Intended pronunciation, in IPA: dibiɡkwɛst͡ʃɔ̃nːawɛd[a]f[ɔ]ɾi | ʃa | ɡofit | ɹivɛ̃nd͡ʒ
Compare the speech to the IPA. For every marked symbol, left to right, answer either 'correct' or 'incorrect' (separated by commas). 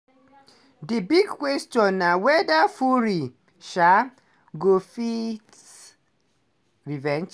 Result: correct, incorrect